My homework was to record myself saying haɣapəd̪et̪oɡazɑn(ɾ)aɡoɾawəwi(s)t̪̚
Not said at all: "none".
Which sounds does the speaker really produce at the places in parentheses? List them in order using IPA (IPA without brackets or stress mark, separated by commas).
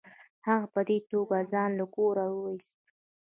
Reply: l, s